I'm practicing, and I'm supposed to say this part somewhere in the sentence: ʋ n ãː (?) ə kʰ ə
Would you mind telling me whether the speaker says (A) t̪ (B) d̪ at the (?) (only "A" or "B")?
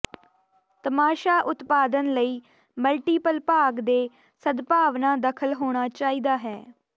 B